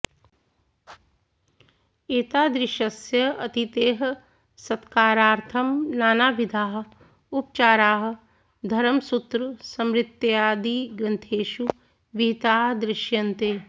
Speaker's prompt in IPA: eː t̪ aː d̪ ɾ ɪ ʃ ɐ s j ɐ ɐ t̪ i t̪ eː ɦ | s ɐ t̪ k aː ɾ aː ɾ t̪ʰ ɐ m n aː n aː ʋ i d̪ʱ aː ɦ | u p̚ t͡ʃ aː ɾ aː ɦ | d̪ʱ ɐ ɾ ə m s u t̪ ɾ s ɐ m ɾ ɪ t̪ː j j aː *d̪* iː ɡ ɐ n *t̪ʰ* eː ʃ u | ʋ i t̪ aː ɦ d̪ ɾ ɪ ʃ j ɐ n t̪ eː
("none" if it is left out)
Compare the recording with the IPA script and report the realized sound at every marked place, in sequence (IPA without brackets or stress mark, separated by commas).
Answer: d̪, t̪ʰ